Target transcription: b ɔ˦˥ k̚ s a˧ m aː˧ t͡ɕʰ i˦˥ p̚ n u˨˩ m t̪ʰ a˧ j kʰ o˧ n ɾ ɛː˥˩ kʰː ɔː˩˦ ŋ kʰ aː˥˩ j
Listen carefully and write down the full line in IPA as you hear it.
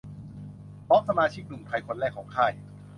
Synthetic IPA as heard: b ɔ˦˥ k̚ s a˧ m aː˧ t͡ɕʰ i˦˥ k̚ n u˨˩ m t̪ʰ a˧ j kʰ o˧ n ɾ ɛː˥˩ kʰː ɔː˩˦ ŋ kʰ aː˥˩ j